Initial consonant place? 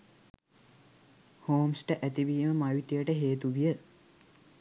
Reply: glottal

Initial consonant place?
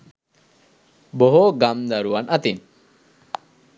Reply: labial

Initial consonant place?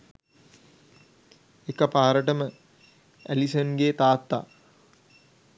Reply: velar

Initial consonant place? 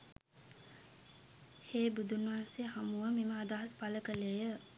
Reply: glottal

